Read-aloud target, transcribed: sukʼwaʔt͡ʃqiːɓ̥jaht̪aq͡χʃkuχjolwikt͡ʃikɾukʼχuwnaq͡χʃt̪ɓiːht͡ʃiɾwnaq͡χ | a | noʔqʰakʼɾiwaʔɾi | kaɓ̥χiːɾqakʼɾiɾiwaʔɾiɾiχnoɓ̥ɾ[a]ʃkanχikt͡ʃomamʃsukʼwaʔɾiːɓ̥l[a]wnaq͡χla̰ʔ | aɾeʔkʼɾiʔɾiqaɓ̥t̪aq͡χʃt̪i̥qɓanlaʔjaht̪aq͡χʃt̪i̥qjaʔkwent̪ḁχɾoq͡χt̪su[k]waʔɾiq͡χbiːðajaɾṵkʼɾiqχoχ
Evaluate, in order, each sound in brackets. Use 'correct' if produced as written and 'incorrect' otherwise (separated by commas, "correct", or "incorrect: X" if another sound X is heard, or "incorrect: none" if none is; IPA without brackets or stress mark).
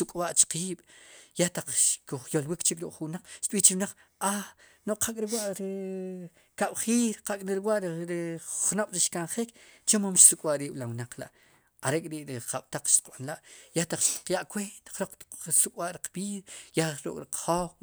incorrect: i, correct, incorrect: kʼ